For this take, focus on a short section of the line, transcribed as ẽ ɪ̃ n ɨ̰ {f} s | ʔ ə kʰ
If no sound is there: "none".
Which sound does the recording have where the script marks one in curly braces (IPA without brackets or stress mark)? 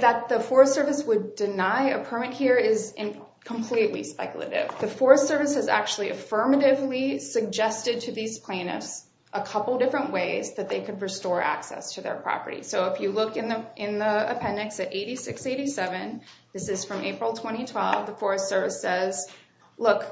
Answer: f